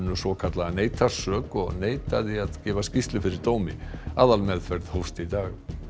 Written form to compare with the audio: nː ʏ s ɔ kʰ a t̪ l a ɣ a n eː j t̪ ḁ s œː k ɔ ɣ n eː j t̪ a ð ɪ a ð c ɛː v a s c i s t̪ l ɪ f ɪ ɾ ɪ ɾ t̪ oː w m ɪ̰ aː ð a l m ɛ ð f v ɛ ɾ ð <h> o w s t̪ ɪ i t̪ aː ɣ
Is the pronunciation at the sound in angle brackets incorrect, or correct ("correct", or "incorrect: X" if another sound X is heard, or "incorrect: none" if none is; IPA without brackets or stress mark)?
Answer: correct